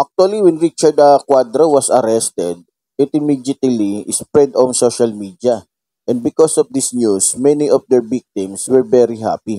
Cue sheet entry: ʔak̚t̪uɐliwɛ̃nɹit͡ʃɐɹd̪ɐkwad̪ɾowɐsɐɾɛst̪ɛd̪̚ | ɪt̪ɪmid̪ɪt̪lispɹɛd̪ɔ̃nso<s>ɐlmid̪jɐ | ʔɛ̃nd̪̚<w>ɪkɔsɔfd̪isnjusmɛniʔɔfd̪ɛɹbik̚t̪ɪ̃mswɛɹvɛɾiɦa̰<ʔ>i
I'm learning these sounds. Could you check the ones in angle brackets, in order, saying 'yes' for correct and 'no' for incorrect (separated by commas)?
no, no, no